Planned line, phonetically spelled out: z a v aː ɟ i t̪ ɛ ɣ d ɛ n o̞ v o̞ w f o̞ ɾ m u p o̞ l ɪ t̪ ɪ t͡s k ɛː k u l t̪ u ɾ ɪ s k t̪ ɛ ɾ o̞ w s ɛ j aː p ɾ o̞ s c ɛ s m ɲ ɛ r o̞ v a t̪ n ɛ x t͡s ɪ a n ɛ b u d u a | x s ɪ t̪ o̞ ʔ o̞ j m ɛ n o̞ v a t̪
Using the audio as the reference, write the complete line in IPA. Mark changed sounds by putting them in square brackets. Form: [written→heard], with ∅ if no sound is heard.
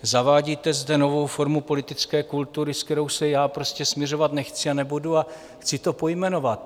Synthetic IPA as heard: z a v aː ɟ i t̪ ɛ [ɣ→z] d ɛ n o̞ v o̞ w f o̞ ɾ m u p o̞ l ɪ t̪ ɪ t͡s k ɛː k u l t̪ u ɾ ɪ s k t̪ ɛ ɾ o̞ w s ɛ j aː p ɾ o̞ s c ɛ s m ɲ ɛ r o̞ v a t̪ n ɛ x t͡s ɪ a n ɛ b u d u a | x [s→t͡s] ɪ t̪ o̞ [ʔ→p] o̞ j m ɛ n o̞ v a t̪